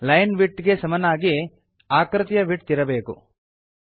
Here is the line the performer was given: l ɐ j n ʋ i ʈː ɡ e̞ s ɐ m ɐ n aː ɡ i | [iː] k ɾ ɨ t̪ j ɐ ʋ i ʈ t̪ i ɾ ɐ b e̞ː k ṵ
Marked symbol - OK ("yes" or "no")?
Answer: no